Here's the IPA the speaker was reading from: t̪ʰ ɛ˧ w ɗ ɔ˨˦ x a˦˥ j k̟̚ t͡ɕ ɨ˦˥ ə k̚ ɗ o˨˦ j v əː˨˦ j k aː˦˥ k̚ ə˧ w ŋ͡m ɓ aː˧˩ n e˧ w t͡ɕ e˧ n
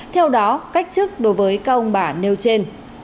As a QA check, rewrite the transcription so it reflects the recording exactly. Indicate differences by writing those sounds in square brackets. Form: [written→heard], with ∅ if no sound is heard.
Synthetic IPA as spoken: t̪ʰ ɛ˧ w ɗ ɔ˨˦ [x→k] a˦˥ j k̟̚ t͡ɕ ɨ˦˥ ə k̚ ɗ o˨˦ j v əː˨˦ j k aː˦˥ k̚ ə˧ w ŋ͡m ɓ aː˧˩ n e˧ w t͡ɕ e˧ n

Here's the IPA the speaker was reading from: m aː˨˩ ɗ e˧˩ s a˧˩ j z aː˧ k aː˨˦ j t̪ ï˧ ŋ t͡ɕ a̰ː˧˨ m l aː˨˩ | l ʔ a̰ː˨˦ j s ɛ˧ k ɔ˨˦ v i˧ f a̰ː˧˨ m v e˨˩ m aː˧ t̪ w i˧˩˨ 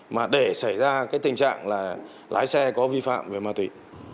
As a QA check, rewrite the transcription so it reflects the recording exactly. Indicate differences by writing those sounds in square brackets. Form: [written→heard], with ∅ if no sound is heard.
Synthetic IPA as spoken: m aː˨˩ ɗ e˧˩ s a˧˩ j z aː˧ k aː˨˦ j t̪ [ï˧→ï˨˩] ŋ t͡ɕ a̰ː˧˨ [m→ŋ] l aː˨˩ | l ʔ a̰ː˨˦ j s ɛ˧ k ɔ˨˦ v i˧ f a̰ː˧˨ m v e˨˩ m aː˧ t̪ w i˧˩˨

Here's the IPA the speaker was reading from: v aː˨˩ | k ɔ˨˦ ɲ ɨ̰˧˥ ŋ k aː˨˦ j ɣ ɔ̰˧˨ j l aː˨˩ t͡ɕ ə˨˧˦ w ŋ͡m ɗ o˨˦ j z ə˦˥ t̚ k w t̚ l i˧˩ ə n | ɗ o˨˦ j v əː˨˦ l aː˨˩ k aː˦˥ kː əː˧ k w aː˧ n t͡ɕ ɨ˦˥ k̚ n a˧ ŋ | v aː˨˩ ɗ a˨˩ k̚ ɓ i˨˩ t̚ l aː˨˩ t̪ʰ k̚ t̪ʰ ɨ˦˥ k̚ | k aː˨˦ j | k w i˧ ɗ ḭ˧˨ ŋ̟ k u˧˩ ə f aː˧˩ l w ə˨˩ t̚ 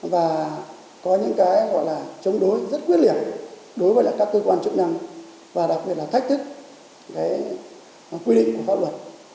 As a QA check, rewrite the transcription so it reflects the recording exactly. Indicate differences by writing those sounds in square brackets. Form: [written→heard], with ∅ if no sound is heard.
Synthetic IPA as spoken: v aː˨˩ | k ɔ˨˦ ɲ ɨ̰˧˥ ŋ k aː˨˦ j ɣ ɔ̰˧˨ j l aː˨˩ t͡ɕ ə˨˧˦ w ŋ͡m ɗ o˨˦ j z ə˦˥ t̚ k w t̚ l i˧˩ ə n | ɗ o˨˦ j v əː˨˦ l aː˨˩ k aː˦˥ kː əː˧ k w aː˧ n t͡ɕ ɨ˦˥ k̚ n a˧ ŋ | v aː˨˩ ɗ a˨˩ k̚ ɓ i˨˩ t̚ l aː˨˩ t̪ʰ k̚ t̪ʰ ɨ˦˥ k̚ | k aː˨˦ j | k w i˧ ɗ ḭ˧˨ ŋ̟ k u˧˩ ə f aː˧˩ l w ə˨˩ t̚

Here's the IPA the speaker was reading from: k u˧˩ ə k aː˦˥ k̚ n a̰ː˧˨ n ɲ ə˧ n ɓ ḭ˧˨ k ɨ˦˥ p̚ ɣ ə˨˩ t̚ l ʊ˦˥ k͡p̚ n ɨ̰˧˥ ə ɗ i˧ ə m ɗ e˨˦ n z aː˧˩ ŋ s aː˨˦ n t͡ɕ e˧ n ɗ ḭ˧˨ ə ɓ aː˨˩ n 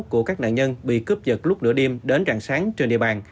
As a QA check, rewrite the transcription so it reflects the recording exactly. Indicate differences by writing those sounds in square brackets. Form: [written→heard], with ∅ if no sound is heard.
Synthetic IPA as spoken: k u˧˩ ə k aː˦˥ k̚ n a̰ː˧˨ n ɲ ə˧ n ɓ ḭ˧˨ k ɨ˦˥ p̚ [ɣ→z] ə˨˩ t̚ l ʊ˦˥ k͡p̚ n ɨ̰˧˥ ə ɗ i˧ ə m ɗ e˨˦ n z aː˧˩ ŋ s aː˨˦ [n→ŋ] t͡ɕ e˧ n ɗ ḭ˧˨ ə ɓ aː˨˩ n

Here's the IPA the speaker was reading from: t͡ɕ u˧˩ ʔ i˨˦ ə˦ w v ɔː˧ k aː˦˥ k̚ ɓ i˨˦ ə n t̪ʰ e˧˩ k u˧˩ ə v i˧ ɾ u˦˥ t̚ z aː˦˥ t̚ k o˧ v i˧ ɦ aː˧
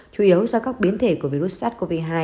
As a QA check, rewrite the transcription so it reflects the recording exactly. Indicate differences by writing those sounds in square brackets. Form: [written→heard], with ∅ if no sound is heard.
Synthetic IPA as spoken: t͡ɕ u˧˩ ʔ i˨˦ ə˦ w [v→z] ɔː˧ k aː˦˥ k̚ ɓ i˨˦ ə n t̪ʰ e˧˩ k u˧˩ ə v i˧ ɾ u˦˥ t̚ [z→s] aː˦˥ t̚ k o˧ v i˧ ɦ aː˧

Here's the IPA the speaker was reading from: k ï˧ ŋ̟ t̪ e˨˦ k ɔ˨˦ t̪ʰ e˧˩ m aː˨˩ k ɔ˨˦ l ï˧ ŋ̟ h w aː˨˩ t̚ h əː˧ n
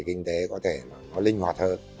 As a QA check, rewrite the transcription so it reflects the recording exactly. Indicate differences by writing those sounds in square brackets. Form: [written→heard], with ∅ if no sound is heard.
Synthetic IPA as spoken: k ï˧ ŋ̟ t̪ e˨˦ k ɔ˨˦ t̪ʰ e˧˩ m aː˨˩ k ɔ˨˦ l ï˧ ŋ̟ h w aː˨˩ t̚ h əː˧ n

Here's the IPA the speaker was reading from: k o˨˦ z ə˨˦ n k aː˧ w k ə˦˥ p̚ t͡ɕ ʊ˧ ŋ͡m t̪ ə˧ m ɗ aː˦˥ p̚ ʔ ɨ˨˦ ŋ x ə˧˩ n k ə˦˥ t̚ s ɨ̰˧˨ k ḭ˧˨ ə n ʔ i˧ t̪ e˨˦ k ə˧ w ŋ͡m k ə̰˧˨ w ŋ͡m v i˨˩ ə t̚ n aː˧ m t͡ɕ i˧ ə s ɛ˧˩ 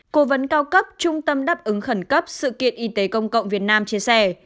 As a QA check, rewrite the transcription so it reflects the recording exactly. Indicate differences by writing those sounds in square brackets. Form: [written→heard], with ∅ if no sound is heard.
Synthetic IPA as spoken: k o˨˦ [z→v] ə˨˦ n k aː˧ w k ə˦˥ p̚ t͡ɕ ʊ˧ ŋ͡m t̪ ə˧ m ɗ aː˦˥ p̚ ʔ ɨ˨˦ ŋ x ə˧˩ n k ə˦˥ [t̚→p̚] s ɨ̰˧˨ k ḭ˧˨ ə n ʔ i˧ t̪ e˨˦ k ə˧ w ŋ͡m k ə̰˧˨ w ŋ͡m v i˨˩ ə t̚ n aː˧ m t͡ɕ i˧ ə s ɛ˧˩

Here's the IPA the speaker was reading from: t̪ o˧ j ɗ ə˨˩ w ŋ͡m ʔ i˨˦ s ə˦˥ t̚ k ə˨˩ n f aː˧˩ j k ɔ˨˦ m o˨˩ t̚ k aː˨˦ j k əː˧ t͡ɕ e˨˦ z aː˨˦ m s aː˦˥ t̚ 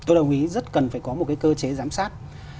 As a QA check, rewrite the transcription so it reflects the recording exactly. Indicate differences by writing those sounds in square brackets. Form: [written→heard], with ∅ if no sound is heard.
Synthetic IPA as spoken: t̪ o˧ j ɗ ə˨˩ w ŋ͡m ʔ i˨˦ [s→z] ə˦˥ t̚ k ə˨˩ n f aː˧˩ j k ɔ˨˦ m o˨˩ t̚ k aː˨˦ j k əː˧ t͡ɕ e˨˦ z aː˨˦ m s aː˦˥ t̚

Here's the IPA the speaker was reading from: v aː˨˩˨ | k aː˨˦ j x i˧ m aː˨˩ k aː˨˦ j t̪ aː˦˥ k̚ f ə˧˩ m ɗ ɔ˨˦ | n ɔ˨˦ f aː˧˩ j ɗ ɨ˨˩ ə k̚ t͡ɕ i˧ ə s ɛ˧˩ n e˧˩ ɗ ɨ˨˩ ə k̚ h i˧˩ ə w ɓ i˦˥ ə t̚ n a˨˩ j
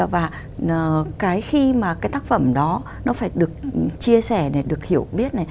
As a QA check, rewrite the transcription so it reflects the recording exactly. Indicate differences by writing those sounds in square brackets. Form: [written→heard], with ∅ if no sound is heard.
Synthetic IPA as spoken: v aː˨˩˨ | k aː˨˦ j x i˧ m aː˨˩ k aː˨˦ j t̪ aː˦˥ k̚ f ə˧˩ m ɗ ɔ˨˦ | n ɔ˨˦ f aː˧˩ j ɗ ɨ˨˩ ə k̚ t͡ɕ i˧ ə s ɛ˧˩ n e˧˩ ɗ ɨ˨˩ ə k̚ h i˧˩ ə w ɓ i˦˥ ə t̚ n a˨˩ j

